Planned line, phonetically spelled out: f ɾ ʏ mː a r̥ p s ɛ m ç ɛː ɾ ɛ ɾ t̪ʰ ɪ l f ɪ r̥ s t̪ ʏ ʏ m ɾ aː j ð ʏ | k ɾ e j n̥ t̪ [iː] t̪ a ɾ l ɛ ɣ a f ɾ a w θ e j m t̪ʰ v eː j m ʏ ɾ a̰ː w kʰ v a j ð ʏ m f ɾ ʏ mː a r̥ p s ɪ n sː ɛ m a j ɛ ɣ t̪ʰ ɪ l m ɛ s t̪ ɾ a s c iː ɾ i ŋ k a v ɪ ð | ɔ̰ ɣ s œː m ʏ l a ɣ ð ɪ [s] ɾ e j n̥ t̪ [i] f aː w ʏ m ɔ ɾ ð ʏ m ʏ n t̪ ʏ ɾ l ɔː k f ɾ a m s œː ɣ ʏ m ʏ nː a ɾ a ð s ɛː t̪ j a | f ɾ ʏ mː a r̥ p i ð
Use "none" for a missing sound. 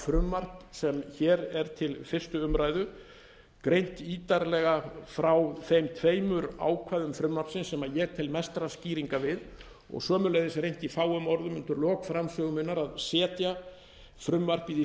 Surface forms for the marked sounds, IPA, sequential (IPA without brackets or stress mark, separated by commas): iː, s, i